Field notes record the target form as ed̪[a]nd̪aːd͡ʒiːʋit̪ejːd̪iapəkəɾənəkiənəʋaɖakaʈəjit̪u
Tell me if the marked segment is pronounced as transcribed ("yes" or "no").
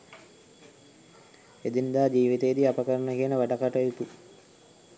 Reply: no